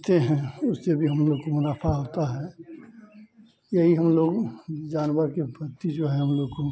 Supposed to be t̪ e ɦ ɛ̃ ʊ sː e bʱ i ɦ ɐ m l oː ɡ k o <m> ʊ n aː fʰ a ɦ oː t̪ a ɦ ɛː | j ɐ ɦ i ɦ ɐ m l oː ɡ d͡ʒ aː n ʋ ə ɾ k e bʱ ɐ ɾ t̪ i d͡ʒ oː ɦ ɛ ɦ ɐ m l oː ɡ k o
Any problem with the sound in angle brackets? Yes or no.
no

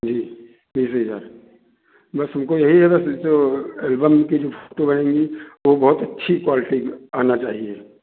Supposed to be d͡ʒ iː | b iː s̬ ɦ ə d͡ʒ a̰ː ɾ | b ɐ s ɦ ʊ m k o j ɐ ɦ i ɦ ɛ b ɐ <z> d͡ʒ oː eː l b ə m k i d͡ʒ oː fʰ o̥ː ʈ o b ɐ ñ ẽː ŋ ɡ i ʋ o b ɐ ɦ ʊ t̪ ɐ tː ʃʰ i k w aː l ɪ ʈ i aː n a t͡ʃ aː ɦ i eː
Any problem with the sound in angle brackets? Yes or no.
yes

